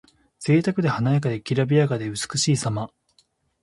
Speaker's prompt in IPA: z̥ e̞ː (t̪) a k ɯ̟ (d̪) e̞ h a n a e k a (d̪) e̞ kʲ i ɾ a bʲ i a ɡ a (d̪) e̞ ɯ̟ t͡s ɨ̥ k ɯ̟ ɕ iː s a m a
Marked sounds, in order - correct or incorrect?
correct, correct, correct, correct

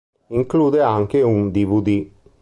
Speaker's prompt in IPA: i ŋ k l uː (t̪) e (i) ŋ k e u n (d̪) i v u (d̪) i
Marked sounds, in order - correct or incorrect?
incorrect, incorrect, correct, correct

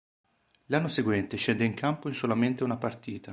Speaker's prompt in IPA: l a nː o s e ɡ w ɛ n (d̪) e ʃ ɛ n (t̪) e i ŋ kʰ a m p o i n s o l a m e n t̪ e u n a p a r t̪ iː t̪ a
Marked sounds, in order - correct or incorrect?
incorrect, incorrect

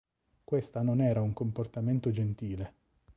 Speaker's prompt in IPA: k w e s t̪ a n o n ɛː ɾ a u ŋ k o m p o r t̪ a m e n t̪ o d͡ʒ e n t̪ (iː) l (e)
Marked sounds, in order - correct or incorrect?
correct, correct

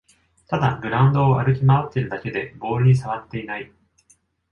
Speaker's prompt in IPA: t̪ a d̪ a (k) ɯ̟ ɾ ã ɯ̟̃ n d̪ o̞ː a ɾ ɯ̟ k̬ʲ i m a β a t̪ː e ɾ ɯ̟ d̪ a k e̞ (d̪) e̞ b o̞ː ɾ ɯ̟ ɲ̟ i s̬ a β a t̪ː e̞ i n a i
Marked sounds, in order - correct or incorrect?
incorrect, correct

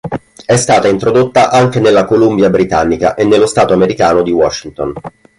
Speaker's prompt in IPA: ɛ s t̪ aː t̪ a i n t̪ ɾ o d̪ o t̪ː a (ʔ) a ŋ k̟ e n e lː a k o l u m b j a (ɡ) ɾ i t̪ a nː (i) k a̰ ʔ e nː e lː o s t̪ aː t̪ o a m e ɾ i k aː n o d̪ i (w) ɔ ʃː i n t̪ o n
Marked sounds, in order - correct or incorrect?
correct, incorrect, correct, correct

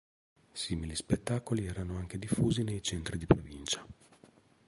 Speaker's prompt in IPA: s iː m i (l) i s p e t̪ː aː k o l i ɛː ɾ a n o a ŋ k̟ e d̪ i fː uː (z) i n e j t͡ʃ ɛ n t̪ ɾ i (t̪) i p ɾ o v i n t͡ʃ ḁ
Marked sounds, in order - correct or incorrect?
correct, correct, incorrect

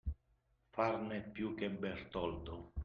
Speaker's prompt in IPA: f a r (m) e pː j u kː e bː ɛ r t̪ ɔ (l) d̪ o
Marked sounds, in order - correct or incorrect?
incorrect, correct

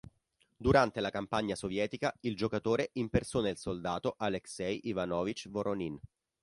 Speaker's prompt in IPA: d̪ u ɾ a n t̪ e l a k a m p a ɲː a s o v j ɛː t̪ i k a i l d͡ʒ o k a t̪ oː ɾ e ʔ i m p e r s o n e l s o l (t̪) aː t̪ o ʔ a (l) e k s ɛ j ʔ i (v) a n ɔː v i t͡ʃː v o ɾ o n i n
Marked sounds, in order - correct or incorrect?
incorrect, correct, correct

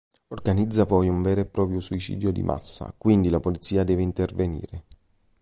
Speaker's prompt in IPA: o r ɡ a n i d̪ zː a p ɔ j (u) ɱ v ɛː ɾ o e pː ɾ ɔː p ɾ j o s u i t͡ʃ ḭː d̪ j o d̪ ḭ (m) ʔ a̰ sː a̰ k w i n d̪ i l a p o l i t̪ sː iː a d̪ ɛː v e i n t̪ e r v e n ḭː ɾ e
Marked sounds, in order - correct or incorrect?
correct, correct

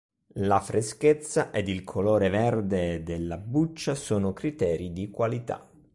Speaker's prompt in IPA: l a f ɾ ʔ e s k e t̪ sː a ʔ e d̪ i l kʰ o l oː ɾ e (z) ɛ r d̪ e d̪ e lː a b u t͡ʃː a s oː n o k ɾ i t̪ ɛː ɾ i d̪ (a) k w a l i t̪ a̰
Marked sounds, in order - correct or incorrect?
incorrect, incorrect

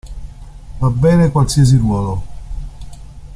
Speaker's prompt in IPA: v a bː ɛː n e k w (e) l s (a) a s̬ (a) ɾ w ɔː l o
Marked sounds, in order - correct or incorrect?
incorrect, incorrect, incorrect

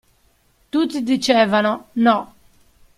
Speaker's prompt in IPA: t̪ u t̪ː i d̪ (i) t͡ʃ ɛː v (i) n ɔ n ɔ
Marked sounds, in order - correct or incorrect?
correct, incorrect

